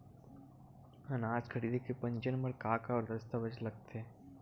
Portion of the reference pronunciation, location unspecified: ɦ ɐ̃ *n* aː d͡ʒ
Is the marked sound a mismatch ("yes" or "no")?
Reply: no